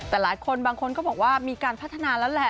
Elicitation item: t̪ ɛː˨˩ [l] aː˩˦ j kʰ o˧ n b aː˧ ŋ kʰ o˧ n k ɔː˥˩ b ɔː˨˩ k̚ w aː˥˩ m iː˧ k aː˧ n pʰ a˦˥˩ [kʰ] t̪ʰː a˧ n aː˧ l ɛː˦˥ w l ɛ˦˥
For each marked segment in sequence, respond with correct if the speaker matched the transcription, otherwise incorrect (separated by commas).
correct, incorrect